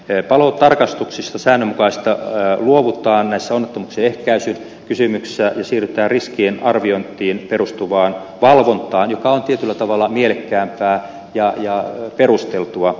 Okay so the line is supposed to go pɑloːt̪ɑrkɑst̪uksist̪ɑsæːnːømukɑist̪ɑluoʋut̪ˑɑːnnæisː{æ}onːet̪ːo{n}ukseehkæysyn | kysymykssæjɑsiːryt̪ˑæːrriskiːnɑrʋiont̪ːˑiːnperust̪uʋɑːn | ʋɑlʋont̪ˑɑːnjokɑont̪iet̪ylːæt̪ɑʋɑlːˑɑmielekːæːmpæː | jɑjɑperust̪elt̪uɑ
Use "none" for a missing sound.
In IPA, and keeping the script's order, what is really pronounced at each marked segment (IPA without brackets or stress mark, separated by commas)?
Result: æ, m